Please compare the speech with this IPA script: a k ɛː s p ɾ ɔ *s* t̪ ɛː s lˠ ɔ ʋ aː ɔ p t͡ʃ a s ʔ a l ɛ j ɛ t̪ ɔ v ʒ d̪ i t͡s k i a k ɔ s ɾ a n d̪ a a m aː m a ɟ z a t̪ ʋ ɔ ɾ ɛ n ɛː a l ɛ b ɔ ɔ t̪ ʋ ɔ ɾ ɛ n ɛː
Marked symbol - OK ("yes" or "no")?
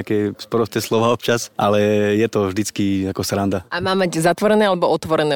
yes